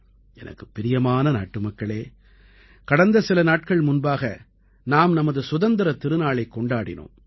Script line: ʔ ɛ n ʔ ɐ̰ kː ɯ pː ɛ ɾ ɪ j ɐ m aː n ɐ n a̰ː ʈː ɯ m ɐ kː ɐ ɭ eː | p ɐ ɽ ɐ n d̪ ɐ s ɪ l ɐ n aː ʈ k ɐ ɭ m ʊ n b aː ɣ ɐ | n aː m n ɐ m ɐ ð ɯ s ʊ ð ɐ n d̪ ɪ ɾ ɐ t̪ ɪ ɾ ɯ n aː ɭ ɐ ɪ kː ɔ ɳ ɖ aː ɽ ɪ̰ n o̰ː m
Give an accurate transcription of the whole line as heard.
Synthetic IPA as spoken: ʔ ɛ n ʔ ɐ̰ kː ɯ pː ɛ ɾ ɪ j ɐ m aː n ɐ n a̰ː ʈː ɯ m ɐ kː ɐ ɭ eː | k ɐ ɽ ɐ n d̪ ɐ s ɪ l ɐ n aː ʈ k ɐ ɭ m ʊ n b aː ɣ ɐ | n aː m n ɐ m ɐ ð ɯ s ʊ ð ɐ n d̪ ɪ ɾ ɐ t̪ ɪ ɾ ɯ n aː ɭ ɐ ɪ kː ɔ ɳ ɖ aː ɽ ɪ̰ n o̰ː m